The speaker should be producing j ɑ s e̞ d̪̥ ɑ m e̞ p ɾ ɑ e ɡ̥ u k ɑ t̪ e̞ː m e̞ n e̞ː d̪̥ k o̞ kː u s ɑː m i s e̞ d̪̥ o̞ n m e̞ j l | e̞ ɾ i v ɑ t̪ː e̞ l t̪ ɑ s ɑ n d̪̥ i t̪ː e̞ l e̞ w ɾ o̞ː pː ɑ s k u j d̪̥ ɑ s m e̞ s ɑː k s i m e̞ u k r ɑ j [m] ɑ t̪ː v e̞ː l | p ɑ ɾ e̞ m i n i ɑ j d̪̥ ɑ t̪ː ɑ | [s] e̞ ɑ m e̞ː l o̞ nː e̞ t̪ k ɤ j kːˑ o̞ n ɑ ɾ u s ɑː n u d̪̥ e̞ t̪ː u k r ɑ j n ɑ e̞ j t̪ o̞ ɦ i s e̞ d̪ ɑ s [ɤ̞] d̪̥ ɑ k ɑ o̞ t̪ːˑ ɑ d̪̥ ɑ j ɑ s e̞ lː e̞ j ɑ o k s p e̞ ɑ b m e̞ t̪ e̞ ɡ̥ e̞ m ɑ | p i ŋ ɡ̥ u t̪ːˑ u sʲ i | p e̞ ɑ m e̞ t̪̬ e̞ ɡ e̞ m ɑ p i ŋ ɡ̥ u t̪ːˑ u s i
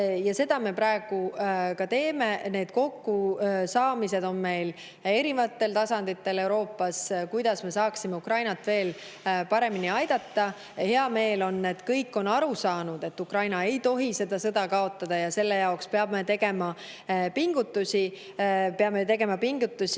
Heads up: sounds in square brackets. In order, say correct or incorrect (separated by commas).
incorrect, incorrect, correct